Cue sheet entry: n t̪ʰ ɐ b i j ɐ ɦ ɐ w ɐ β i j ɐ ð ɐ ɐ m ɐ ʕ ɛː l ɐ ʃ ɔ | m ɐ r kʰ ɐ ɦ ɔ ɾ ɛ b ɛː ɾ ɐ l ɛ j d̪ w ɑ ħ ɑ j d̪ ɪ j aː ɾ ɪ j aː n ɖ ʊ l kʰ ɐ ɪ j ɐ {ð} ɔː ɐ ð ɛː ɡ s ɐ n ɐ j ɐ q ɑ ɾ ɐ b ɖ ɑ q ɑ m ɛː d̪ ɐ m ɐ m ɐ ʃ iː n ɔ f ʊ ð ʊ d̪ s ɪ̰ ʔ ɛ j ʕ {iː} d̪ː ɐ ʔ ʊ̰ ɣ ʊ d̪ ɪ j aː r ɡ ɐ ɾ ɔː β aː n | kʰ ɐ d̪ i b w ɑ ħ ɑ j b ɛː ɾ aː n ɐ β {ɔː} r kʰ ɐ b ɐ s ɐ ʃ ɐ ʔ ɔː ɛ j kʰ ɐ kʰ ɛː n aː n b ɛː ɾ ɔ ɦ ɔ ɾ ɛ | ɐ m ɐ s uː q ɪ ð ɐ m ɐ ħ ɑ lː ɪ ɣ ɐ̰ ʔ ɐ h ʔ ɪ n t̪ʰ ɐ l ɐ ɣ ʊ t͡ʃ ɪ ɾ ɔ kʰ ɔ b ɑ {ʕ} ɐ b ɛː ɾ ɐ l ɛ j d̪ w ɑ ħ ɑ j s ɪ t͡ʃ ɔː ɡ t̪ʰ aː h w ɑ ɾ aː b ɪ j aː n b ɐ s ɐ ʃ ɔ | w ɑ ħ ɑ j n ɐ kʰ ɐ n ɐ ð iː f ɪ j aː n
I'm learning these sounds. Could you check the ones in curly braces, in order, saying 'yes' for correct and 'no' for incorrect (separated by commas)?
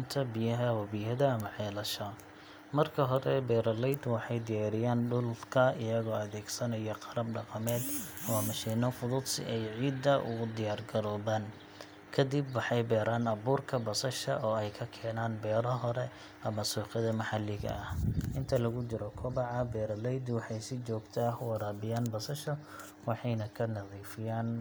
no, yes, no, yes